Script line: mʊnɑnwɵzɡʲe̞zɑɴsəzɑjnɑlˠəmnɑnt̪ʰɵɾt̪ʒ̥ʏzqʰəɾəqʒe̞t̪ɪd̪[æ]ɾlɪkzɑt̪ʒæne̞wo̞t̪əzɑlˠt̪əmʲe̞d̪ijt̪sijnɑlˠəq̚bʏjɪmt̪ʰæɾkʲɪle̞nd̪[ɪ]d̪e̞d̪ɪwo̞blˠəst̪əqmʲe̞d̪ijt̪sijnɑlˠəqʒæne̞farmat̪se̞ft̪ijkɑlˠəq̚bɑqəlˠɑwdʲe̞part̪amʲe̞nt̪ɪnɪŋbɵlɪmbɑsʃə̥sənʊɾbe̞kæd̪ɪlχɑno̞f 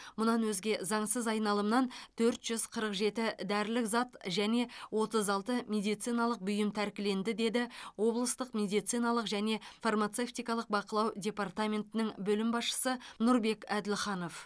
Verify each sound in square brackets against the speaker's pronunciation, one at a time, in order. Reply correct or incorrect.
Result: correct, correct

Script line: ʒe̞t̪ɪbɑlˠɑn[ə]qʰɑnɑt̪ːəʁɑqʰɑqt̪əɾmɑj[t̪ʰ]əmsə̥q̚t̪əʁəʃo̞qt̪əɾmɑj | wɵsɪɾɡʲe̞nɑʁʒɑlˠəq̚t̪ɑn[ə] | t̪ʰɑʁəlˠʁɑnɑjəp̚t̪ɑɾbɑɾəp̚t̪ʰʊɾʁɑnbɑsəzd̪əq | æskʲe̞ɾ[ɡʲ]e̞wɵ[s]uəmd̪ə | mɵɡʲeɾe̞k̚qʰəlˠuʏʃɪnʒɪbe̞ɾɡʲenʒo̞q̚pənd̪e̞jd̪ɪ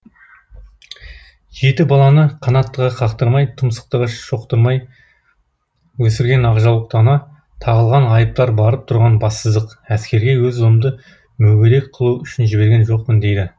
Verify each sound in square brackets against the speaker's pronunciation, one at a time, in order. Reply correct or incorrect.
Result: correct, correct, incorrect, correct, incorrect

